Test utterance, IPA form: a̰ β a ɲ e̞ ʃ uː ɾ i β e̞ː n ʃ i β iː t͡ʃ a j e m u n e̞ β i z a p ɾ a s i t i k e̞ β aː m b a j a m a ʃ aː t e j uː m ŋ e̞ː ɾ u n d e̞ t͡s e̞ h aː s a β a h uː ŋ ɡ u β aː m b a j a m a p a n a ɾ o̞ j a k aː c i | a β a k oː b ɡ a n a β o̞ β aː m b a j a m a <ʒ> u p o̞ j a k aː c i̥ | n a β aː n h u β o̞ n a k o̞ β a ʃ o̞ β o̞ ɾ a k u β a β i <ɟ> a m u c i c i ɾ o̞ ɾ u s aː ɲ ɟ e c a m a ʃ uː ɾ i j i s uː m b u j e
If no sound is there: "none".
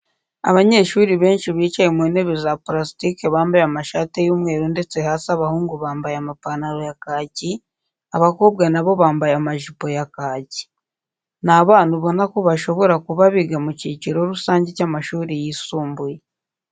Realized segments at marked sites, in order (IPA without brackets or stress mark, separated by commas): ʒ, ɡ